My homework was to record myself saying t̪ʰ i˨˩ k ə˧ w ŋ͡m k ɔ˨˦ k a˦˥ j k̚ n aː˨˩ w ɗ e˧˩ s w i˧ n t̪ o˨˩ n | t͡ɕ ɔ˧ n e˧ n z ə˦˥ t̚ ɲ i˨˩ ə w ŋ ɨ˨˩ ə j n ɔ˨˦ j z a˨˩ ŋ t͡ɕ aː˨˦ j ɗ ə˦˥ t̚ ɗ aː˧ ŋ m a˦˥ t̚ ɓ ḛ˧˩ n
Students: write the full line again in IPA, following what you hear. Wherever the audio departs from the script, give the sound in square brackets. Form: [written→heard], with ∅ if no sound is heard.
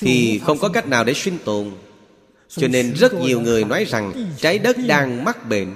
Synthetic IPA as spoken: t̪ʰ i˨˩ [k→x] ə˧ w ŋ͡m k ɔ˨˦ k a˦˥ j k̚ n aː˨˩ w ɗ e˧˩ s w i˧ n t̪ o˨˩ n | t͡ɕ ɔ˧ n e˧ n z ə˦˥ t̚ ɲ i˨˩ ə w ŋ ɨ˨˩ ə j n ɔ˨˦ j z a˨˩ ŋ t͡ɕ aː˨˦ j ɗ ə˦˥ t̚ ɗ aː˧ ŋ m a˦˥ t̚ ɓ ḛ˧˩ n